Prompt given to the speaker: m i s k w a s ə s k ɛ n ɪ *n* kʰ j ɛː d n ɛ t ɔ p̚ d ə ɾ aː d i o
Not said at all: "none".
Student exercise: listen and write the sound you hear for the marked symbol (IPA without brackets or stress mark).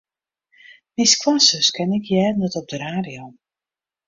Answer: none